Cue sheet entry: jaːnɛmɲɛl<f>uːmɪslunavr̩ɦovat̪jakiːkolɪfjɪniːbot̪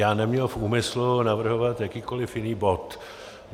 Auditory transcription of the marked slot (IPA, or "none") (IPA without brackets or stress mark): f